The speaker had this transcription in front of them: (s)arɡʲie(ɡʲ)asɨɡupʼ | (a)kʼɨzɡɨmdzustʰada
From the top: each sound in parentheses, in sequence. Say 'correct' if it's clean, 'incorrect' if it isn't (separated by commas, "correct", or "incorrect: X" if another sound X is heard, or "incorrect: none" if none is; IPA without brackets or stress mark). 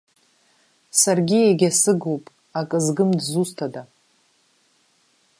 correct, correct, correct